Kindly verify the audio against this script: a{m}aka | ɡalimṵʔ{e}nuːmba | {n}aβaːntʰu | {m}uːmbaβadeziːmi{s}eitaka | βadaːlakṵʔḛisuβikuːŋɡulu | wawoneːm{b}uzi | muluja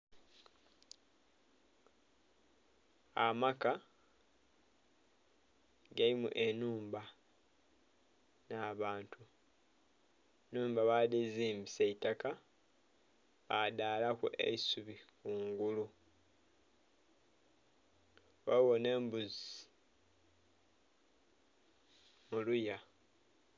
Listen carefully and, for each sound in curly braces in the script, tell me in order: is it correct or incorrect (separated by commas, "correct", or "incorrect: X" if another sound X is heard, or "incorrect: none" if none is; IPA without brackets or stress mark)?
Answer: correct, correct, correct, incorrect: n, correct, correct